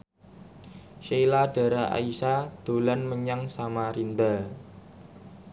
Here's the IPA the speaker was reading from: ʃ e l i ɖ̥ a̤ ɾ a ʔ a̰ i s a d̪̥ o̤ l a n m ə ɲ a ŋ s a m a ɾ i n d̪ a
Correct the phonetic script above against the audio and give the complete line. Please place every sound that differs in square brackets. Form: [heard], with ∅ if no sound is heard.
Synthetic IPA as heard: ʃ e l [a] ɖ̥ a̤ ɾ a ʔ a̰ i s a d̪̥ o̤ l a n m ə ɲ a ŋ s a m a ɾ i n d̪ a